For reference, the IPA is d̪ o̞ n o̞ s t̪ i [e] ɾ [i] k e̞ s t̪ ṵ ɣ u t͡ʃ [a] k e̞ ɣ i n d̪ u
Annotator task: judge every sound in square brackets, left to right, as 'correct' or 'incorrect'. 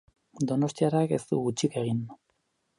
incorrect: a, incorrect: a, incorrect: i

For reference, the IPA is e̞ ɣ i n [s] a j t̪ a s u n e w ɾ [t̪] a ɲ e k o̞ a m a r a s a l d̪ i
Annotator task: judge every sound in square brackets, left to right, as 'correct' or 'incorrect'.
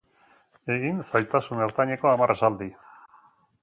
correct, correct

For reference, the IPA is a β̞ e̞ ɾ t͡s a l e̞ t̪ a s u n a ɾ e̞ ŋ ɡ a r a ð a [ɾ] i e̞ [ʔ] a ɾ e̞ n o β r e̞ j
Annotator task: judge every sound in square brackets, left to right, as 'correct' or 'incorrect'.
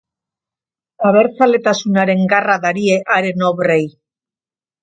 correct, correct

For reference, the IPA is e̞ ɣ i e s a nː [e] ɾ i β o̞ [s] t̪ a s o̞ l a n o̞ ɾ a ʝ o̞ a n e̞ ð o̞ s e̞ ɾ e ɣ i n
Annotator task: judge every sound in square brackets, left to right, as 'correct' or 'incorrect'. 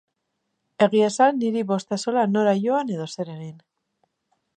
incorrect: i, correct

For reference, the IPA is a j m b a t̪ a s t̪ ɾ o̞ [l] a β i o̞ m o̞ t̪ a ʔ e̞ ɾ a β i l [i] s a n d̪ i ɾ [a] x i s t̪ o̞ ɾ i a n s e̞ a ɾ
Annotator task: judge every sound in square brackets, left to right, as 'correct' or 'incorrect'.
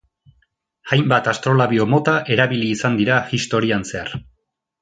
correct, incorrect: iː, correct

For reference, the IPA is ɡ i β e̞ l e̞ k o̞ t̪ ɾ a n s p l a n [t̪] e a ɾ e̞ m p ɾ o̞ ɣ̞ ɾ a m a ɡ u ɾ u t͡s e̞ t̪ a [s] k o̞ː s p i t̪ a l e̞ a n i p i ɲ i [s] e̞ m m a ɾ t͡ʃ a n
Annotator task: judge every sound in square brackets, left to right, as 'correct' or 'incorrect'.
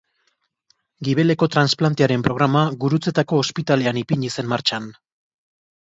correct, incorrect: none, correct

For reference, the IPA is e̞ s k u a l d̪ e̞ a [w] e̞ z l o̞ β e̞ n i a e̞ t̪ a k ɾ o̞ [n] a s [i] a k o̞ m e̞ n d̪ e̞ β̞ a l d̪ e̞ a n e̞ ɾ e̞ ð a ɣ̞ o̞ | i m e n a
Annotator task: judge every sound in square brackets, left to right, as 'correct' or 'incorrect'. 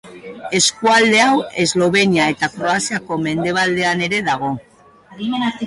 correct, incorrect: none, correct

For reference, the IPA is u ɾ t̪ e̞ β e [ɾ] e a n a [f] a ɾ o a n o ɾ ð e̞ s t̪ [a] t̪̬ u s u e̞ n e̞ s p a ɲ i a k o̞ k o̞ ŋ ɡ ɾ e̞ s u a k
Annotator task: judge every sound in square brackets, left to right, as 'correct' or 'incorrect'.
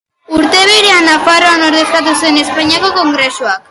correct, correct, correct

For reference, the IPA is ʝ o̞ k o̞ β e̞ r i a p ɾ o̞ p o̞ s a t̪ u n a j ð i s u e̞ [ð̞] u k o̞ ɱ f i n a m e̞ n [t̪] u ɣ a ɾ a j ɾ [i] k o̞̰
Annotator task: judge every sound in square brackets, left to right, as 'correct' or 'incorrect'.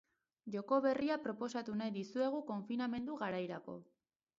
incorrect: ɣ̞, incorrect: d̪, incorrect: a

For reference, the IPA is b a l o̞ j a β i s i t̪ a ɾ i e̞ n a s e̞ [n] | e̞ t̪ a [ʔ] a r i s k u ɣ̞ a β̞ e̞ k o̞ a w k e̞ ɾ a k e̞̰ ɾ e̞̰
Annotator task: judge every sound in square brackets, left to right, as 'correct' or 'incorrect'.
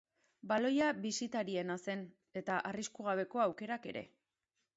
correct, correct

